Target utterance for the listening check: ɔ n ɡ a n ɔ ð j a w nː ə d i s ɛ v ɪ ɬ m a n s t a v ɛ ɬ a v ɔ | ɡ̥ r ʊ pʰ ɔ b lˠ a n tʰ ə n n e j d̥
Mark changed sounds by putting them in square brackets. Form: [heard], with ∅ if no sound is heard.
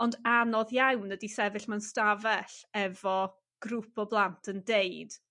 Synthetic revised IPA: ɔ n [d] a n ɔ ð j a w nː ə d i s ɛ v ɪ ɬ m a n s t a v ɛ ɬ [ɛ] v ɔ | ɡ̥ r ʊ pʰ ɔ b lˠ a n tʰ ə n [d] e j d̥